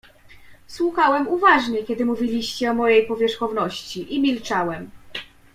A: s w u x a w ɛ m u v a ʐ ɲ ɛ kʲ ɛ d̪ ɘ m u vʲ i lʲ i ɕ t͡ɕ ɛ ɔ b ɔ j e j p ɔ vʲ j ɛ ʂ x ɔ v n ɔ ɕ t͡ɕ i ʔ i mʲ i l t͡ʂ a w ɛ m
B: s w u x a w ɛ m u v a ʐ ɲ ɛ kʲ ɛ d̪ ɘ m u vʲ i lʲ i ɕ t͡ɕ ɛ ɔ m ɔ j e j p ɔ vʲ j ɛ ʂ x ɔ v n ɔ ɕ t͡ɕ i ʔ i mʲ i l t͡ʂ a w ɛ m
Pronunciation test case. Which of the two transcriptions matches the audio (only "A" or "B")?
B